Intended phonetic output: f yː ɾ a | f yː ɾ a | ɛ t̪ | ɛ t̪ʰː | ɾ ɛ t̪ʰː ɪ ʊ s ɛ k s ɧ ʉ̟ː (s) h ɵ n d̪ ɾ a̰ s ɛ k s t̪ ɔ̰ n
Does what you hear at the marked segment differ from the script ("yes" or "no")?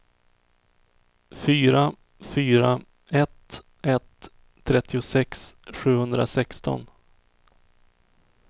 yes